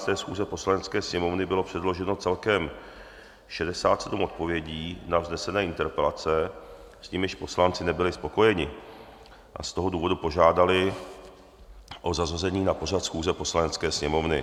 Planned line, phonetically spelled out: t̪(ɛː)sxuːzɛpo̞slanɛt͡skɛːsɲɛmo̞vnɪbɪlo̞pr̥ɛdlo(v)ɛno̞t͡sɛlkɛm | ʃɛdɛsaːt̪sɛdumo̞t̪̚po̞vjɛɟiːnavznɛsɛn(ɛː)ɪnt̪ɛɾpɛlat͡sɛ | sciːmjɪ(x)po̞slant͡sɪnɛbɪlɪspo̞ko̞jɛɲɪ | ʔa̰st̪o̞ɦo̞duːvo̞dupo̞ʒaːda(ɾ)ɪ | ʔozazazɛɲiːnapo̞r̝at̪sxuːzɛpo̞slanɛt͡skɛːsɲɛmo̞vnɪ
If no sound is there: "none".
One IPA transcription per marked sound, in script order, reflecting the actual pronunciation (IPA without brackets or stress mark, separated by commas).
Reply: ɛː, ʒ, ɛː, ʃ, l